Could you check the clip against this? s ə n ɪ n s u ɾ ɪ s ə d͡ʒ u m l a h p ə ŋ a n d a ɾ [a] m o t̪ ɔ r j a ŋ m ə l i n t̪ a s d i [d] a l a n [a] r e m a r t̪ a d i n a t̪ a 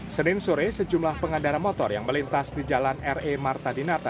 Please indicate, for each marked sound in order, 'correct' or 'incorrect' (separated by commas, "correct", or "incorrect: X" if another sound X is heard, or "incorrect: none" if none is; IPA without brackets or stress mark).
correct, incorrect: d͡ʒ, incorrect: ɛ